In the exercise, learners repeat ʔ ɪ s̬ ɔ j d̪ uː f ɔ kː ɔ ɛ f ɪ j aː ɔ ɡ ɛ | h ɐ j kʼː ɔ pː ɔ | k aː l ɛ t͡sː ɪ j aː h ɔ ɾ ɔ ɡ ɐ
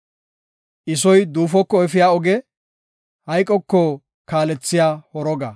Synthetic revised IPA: ʔ ɪ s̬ ɔ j d̪ uː f ɔ kː ɔ ɛ f ɪ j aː ɔ ɡ ɛ | h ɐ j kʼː ɔ kː ɔ | k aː l ɛ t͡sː ɪ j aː h ɔ ɾ ɔ ɡ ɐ